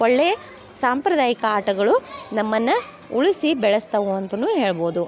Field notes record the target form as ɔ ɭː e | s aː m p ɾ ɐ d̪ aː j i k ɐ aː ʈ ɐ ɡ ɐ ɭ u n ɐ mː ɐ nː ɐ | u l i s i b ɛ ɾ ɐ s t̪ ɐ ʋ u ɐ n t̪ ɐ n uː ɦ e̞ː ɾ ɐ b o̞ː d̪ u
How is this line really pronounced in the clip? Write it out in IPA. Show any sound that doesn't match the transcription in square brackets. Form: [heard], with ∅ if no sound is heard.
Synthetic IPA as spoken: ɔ ɭː e | s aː m p ɾ ɐ d̪ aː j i k ɐ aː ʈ ɐ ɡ ɐ ɭ u n ɐ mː ɐ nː ɐ | u [ɭ] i s i b ɛ [ɭ] ɐ s t̪ ɐ ʋ u ɐ n t̪ ɐ n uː ɦ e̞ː [ɭ] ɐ b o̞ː d̪ u